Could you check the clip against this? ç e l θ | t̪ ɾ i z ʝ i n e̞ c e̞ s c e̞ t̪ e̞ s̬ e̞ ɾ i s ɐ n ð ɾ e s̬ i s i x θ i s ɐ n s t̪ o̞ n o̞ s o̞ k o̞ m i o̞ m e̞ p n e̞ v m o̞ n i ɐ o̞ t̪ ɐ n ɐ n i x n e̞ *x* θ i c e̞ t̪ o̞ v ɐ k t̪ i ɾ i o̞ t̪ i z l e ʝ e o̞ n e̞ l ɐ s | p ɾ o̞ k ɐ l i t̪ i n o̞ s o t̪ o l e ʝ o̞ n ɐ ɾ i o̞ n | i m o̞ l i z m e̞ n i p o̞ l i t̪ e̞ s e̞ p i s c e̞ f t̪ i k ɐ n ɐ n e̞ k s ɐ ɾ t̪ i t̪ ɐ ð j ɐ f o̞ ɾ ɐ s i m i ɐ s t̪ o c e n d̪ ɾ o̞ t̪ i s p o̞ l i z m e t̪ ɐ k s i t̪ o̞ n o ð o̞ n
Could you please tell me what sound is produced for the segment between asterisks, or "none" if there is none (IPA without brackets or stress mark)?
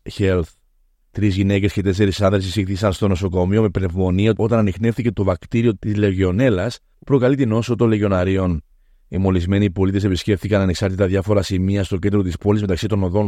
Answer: f